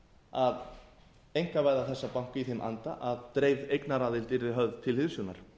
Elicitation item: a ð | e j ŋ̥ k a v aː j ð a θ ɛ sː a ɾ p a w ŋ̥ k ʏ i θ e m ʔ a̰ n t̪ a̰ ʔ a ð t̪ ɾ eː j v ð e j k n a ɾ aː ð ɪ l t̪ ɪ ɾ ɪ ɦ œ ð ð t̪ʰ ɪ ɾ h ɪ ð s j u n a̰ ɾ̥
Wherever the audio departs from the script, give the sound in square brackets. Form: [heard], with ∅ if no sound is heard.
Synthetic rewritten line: a ð | e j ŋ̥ k a v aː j ð a θ ɛ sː a [∅] p a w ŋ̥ k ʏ i θ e m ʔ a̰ n t̪ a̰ ʔ a ð t̪ ɾ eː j v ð e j k n a ɾ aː ð ɪ l t̪ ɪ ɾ ɪ ɦ œ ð ð t̪ʰ ɪ [l] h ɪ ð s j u n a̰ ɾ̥